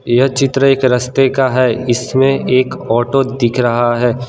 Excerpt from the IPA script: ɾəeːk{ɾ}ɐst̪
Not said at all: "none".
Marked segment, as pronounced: ɾ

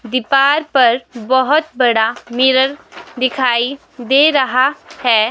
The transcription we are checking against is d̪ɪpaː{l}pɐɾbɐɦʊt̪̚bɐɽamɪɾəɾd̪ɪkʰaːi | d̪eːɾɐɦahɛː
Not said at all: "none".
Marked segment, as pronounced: ɾ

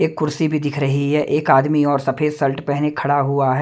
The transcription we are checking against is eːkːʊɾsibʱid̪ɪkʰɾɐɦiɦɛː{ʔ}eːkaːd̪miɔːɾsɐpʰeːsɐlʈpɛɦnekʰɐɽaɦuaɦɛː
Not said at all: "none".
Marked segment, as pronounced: ʔ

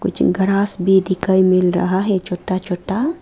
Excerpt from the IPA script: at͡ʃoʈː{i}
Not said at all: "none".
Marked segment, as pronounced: a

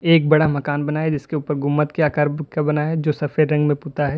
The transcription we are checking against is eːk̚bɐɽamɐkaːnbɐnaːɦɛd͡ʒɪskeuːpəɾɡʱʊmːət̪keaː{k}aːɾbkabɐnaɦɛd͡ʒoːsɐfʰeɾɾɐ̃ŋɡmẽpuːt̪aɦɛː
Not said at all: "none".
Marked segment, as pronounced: k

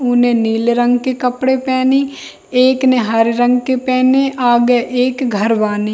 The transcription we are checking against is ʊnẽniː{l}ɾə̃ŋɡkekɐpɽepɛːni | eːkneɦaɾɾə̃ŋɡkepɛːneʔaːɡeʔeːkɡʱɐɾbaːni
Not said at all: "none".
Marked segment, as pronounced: l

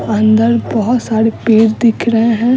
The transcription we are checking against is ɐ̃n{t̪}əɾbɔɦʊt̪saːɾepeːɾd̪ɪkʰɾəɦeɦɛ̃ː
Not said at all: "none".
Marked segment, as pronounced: d̪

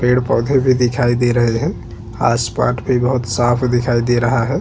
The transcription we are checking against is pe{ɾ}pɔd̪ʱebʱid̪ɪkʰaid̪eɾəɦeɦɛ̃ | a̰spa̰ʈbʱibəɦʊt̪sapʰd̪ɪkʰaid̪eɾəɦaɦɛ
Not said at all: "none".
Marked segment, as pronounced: ɽ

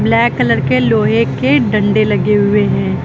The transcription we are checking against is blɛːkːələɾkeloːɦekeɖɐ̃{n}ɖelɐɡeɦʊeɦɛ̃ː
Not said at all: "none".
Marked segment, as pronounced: ɳ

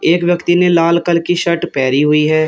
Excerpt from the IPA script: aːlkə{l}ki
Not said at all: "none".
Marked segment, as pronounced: l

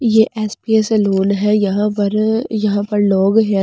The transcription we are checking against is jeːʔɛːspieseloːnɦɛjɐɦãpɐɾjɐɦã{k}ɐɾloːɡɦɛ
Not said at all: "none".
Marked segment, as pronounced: p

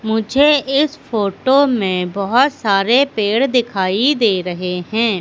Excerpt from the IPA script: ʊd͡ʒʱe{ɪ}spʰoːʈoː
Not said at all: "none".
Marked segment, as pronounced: ɪ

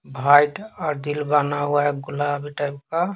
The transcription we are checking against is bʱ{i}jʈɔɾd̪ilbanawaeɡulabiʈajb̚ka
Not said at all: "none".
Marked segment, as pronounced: a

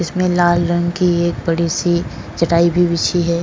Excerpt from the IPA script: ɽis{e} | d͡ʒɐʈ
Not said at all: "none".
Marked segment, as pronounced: i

